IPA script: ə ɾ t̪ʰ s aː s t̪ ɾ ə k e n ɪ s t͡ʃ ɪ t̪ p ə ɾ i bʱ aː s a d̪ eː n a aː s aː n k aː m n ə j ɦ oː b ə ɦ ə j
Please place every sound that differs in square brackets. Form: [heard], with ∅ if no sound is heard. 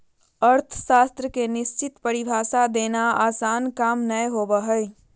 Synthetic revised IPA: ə ɾ t̪ʰ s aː s t̪ ɾ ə k e n ɪ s t͡ʃ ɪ t̪ p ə ɾ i bʱ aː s a d̪ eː n a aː s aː n k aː m n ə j ɦ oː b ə ɦ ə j